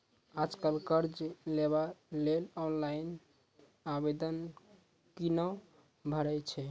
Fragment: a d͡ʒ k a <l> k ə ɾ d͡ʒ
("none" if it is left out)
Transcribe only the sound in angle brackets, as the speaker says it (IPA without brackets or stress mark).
l